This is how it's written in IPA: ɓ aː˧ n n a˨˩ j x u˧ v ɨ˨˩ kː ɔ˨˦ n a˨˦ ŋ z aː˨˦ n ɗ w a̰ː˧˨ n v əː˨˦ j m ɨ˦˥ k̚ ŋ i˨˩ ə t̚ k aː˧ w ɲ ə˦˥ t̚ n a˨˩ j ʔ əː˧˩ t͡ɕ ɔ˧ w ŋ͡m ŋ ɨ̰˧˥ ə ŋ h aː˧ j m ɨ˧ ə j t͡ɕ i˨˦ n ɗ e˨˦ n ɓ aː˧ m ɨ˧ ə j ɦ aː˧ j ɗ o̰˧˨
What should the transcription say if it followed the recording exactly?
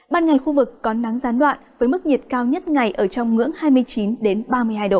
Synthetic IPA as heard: ɓ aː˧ n ŋ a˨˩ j x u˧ v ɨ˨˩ kː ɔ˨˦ n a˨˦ ŋ z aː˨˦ n ɗ w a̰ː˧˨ n v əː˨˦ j m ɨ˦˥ k̚ ɲ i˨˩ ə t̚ k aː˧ w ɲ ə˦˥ t̚ ŋ a˨˩ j ʔ əː˧˩ t͡ɕ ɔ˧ w ŋ͡m ŋ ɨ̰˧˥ ə ŋ h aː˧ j m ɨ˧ ə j t͡ɕ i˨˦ n ɗ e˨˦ n ɓ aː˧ m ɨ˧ ə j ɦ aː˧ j ɗ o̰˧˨